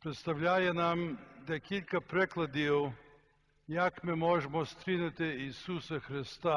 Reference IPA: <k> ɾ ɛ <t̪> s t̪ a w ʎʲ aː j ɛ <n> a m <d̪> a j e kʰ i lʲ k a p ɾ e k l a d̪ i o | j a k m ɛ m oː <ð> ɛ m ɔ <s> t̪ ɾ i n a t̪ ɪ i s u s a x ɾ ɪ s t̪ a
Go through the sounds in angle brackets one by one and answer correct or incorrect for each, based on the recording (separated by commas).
incorrect, correct, correct, correct, incorrect, correct